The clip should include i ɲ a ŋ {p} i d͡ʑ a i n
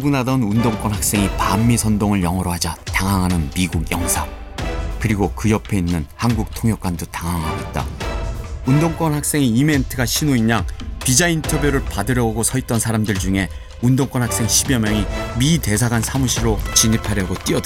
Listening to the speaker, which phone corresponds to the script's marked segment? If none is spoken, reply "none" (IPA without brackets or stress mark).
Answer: p